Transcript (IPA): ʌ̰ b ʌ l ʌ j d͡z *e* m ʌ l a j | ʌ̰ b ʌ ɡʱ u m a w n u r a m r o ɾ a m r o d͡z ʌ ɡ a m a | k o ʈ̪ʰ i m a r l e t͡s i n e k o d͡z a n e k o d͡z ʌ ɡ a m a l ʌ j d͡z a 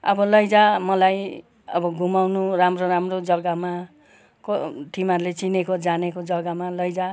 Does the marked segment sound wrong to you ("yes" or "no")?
yes